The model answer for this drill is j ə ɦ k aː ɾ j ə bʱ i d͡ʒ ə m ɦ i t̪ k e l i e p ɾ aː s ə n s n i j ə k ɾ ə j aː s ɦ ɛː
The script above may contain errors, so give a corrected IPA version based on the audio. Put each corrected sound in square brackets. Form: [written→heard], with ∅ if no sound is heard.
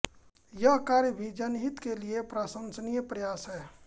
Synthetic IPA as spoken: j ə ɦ k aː ɾ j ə bʱ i d͡ʒ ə [m→n] ɦ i t̪ k e l i e p ɾ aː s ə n s n i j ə [k→p] ɾ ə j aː s ɦ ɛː